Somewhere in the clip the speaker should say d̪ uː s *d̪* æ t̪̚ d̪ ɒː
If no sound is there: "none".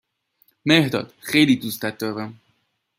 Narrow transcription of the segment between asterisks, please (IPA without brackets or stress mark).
t̪